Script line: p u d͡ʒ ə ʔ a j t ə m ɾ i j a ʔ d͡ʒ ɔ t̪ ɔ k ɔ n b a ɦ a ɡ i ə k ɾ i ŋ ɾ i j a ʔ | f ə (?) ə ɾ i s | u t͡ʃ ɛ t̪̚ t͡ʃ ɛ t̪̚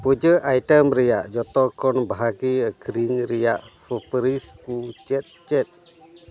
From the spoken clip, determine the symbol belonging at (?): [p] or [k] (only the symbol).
p